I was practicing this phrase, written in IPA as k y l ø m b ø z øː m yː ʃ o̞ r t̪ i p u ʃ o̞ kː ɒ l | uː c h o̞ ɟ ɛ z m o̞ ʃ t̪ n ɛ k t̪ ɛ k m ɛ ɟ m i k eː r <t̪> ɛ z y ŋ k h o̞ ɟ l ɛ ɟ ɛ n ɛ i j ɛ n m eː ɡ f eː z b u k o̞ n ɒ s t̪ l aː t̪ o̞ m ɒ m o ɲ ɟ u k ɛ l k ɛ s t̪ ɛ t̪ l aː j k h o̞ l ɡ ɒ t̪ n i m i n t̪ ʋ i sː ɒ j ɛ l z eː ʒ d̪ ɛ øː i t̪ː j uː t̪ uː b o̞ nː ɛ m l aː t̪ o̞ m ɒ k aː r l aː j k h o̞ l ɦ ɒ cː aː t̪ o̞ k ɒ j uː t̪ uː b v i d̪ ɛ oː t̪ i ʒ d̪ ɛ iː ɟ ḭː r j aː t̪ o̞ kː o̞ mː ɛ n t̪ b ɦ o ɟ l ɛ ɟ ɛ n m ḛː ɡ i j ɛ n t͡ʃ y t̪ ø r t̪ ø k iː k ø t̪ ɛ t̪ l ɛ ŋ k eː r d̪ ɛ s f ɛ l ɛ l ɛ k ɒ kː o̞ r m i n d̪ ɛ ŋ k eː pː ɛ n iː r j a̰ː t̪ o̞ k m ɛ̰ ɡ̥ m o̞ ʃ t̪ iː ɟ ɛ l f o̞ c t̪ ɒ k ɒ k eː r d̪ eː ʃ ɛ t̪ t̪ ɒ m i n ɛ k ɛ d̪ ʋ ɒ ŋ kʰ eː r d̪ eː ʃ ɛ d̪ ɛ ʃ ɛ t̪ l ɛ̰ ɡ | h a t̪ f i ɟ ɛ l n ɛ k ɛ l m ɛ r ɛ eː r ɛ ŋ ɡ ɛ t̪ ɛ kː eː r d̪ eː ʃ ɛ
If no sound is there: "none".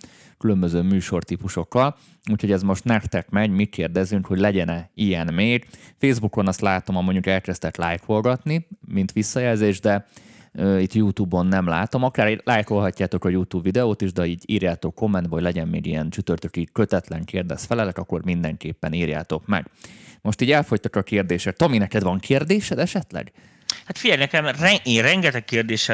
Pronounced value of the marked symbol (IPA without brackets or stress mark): d̪